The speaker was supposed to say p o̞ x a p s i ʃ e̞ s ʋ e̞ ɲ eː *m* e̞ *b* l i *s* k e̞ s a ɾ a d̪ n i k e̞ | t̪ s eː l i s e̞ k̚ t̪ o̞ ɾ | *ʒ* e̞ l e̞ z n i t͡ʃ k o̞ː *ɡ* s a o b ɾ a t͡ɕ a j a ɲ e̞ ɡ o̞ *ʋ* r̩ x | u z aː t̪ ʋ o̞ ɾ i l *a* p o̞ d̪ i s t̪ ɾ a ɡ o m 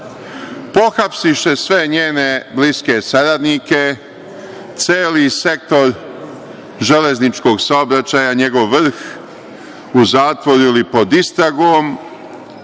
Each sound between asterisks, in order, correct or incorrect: incorrect, correct, correct, correct, correct, incorrect, incorrect

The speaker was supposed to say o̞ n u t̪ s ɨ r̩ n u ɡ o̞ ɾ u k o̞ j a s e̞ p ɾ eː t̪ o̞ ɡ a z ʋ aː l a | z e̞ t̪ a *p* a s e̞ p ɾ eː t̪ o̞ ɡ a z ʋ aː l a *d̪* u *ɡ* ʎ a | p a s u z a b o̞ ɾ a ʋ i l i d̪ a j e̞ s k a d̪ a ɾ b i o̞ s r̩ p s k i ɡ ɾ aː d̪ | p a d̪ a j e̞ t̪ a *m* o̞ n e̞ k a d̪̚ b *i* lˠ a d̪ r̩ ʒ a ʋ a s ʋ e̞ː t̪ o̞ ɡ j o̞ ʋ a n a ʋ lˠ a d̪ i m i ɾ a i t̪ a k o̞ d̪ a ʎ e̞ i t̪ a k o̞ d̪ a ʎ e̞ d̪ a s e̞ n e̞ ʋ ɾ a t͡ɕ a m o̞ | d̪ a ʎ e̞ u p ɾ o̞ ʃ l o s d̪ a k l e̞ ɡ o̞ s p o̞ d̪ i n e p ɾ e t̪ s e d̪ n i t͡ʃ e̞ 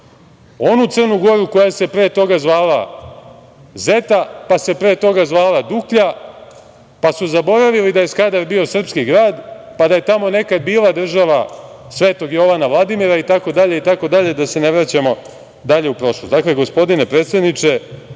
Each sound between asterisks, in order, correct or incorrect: correct, correct, incorrect, correct, incorrect

